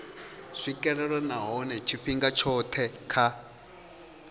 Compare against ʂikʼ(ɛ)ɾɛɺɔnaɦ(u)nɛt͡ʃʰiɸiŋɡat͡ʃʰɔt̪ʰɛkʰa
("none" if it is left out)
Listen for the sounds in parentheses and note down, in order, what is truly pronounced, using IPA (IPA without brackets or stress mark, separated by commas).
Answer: ɛ, ɔ